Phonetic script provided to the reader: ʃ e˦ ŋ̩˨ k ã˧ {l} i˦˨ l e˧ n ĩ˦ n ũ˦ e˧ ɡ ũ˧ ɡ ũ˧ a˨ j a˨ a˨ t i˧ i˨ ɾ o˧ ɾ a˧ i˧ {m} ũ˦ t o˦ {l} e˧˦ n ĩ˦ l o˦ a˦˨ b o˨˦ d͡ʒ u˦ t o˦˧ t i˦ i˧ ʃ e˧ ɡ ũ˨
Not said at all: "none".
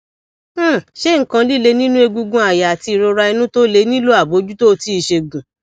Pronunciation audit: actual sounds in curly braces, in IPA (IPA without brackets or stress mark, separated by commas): l, n, l